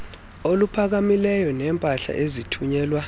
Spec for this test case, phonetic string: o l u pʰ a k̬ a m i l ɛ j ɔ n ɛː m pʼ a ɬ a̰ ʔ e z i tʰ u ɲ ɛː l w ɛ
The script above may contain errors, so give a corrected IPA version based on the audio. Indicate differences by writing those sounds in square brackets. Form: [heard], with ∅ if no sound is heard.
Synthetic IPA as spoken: o l u pʰ a k̬ a m i l ɛ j ɔ n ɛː m pʼ a ɬ a̰ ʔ e z i tʰ u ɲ ɛː l w [a]